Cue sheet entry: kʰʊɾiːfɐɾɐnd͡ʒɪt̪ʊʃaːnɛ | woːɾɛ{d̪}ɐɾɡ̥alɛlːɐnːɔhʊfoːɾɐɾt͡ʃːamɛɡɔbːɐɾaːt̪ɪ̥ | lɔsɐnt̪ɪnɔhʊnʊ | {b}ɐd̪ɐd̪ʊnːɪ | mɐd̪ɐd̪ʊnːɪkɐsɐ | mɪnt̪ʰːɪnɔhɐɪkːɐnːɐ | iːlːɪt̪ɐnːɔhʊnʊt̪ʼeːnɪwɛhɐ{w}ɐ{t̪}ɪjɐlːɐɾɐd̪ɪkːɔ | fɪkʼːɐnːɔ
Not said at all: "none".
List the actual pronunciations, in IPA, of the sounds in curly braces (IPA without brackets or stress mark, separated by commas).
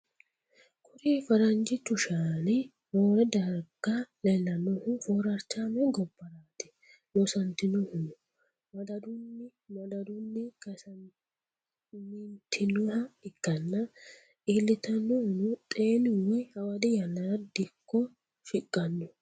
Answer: d̪, m, w, d̪